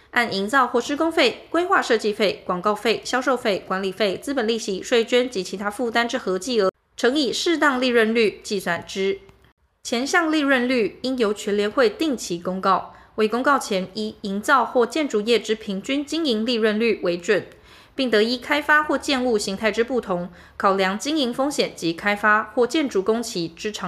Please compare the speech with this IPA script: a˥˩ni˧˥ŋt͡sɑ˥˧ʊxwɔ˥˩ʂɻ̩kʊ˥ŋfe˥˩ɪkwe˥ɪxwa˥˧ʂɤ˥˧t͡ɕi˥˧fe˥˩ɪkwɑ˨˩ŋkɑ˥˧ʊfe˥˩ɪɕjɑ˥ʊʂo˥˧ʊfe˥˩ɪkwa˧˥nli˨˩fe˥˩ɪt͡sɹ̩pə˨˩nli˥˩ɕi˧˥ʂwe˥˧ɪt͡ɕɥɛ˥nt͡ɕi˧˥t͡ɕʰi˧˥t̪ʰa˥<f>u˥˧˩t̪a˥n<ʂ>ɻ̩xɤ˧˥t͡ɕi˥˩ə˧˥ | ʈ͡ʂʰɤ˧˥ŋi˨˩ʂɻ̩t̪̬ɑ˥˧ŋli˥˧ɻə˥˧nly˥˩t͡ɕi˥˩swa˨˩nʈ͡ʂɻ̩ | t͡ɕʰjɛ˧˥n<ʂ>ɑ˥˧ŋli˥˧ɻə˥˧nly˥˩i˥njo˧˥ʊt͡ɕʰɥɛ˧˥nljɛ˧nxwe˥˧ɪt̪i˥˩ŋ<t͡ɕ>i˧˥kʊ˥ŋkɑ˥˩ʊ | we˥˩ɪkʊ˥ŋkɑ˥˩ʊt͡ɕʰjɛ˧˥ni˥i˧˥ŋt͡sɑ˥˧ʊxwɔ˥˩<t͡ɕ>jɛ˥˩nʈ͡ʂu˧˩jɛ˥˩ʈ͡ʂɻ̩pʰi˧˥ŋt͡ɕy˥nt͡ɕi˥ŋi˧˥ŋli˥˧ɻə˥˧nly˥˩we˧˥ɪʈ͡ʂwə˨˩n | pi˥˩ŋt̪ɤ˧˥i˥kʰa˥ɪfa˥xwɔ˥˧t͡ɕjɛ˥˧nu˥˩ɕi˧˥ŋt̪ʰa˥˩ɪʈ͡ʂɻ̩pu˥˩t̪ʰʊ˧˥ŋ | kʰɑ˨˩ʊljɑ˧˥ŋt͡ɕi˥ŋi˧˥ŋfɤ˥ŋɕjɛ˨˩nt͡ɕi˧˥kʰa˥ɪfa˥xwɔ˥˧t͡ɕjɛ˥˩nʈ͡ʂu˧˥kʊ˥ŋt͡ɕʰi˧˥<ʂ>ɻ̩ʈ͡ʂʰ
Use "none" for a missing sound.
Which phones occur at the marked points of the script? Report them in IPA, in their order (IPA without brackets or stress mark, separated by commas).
f, ʈ͡ʂ, ɕ, t͡ɕʰ, t͡ɕ, ʈ͡ʂ